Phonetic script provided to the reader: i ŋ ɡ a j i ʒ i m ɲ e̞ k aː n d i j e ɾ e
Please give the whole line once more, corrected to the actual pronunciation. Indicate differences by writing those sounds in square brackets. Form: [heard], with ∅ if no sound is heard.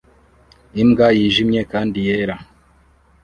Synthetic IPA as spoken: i [m] ɡ a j i ʒ i m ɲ e̞ k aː n d i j e ɾ [a]